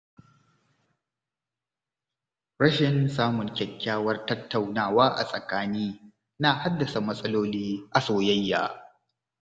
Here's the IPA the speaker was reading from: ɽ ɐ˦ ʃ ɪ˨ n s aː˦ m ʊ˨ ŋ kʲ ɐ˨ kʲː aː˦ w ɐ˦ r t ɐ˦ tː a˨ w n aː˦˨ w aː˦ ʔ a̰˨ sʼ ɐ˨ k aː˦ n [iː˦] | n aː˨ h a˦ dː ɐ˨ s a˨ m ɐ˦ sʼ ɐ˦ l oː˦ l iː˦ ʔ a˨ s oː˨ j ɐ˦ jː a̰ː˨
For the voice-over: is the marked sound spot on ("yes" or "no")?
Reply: yes